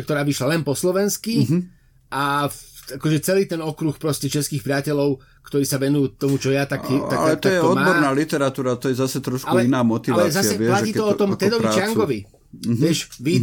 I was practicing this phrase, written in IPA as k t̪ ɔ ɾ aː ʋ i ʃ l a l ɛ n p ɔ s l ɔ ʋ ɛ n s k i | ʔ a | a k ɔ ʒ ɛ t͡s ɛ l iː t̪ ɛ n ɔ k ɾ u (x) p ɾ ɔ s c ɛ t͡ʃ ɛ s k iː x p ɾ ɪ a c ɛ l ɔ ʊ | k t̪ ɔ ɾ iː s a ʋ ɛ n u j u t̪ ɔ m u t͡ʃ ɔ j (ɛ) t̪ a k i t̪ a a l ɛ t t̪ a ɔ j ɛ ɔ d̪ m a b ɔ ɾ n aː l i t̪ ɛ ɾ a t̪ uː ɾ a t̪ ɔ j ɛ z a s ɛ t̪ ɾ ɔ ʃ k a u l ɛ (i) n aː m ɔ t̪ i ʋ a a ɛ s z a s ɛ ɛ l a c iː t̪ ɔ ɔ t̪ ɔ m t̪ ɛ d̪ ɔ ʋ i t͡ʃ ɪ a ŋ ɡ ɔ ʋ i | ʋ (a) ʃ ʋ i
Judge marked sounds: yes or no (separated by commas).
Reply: yes, no, yes, no